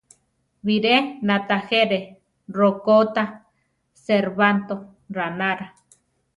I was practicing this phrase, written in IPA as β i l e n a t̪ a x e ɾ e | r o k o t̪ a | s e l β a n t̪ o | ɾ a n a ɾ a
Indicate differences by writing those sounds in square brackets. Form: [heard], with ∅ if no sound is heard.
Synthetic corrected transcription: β i [ɾ] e n a t̪ a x e ɾ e | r o k o t̪ a | s e [ɾ] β a n t̪ o | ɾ a n a ɾ a